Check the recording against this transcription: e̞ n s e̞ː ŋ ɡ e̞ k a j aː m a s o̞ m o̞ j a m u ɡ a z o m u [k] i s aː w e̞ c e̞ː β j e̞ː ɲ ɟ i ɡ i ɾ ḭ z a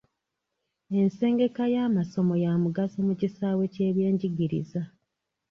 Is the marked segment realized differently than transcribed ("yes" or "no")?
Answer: yes